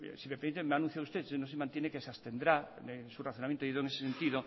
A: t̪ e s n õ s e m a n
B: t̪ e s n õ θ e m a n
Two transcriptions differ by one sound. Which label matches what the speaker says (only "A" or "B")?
A